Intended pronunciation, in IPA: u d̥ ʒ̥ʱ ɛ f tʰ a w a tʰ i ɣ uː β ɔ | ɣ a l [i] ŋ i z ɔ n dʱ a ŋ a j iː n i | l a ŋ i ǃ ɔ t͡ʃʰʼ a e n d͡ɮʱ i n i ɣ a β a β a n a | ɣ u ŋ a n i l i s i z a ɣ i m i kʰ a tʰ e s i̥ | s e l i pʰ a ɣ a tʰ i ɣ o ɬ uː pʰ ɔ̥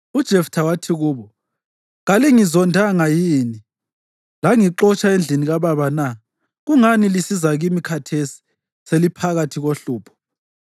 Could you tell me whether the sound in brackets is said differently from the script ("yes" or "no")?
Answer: no